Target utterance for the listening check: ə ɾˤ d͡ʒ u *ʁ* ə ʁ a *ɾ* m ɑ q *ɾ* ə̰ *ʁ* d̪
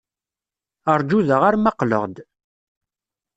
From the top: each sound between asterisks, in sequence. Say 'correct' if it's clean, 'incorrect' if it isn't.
incorrect: ð, correct, incorrect: l, correct

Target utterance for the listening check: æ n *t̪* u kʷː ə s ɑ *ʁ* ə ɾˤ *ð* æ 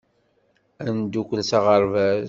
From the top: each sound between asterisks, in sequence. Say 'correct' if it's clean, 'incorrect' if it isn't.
incorrect: d̪, correct, incorrect: v

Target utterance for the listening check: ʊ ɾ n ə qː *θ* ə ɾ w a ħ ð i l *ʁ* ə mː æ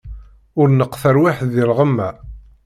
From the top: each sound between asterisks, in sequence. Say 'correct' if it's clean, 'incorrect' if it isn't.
correct, correct

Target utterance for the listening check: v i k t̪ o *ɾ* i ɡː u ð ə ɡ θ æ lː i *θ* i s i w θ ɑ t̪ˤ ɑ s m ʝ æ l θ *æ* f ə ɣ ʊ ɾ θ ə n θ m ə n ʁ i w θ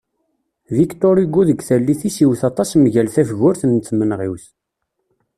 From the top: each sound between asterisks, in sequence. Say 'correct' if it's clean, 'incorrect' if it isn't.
correct, correct, correct

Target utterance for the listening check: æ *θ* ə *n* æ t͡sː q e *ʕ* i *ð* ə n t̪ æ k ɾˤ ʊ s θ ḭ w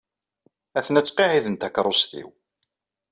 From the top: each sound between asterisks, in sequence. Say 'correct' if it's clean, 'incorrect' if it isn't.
correct, correct, correct, correct

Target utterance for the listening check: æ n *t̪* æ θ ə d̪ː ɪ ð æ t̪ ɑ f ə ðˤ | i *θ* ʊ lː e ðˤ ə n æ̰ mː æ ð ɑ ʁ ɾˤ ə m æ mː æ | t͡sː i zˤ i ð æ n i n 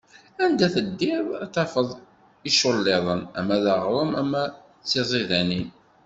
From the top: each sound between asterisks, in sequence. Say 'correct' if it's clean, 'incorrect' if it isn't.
incorrect: d̪, incorrect: ʃ

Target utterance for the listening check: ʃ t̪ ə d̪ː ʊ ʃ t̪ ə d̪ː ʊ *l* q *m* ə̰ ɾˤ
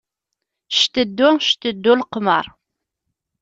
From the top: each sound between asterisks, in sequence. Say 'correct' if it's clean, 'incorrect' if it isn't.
correct, correct

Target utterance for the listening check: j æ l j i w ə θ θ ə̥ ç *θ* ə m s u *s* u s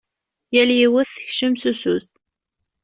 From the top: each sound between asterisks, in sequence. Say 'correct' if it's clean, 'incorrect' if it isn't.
incorrect: ʃ, correct

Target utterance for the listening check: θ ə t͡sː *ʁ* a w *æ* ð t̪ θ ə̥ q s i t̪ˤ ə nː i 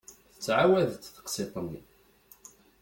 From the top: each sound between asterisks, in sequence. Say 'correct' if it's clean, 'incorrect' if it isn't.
incorrect: ʕ, correct

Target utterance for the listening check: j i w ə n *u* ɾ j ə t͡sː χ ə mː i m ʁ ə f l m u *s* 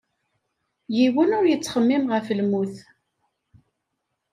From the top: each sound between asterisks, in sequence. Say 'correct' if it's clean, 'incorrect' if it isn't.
incorrect: ʊ, incorrect: θ

